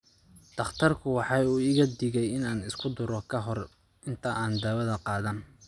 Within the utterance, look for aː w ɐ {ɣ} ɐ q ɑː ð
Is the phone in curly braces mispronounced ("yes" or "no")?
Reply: yes